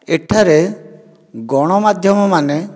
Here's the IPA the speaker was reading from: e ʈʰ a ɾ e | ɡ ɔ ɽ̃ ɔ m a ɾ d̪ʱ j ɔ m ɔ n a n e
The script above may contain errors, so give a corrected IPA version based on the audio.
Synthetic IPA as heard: e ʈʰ a ɾ e | ɡ ɔ ɽ̃ ɔ m a d̪ʱ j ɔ m ɔ m a n e